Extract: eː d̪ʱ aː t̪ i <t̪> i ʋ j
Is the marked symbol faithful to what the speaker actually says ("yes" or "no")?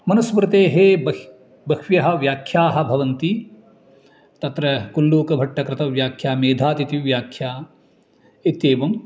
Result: yes